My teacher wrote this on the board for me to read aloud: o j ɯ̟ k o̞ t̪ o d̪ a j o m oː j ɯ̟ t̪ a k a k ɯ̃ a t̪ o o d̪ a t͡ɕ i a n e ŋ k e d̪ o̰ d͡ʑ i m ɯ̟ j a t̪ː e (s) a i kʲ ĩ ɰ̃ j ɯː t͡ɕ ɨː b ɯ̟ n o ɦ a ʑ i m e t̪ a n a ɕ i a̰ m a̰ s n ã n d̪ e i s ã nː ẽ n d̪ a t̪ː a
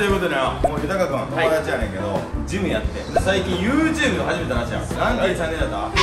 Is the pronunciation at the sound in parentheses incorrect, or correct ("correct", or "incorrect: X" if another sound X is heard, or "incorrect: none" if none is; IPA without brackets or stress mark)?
correct